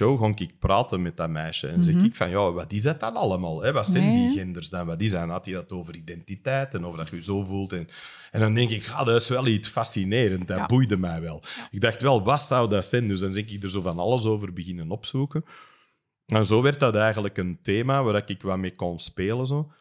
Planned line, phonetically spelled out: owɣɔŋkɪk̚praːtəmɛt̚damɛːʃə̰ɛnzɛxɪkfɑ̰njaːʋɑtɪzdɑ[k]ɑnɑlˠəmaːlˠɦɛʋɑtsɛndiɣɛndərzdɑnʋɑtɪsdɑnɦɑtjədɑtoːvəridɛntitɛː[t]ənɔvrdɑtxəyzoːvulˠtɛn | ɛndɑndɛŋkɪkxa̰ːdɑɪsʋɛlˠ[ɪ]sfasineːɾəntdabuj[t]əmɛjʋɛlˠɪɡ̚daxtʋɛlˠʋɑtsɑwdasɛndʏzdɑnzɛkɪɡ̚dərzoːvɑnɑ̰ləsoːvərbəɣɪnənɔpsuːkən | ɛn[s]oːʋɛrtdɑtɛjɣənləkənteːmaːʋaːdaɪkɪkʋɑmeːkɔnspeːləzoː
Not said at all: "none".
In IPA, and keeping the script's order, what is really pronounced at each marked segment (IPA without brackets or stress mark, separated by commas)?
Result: t, t, i, d, z